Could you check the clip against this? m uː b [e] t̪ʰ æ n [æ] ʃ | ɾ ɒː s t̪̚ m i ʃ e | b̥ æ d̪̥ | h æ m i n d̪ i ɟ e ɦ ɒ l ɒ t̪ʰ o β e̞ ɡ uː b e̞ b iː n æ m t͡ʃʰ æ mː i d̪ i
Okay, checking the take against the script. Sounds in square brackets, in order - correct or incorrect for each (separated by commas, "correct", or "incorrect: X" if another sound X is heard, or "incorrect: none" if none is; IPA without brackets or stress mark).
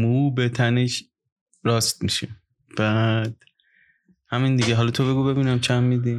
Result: correct, incorrect: e